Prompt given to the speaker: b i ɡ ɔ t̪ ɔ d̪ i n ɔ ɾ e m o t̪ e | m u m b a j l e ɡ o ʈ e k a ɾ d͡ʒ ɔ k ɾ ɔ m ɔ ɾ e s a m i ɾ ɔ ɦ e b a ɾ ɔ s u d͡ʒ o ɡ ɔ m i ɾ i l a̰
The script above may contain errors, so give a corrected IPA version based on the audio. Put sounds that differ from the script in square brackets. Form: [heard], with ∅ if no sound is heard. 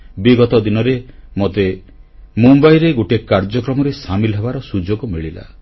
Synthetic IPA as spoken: b i ɡ ɔ t̪ ɔ d̪ i n ɔ ɾ e m o t̪ e | m u m b a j [ɾ] e ɡ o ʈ e k a ɾ d͡ʒ ɔ k ɾ ɔ m ɔ ɾ e s a m i [l] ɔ ɦ e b a ɾ ɔ s u d͡ʒ o ɡ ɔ m i [ɭ] i l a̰